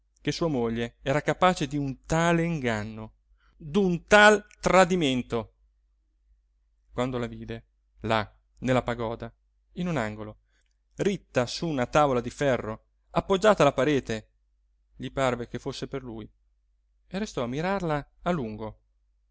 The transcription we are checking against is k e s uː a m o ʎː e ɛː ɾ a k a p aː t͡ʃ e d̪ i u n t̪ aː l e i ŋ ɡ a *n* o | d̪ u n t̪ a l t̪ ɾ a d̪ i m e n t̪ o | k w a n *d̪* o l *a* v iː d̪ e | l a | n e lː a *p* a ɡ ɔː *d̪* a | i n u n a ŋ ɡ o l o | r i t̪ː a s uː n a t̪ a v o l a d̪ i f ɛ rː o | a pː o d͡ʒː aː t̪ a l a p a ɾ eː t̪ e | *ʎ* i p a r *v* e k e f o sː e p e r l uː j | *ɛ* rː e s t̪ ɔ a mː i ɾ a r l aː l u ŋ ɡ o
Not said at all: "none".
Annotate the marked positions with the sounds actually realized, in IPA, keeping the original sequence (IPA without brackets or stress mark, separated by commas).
nː, d̪, a, p, d̪, ʎ, v, e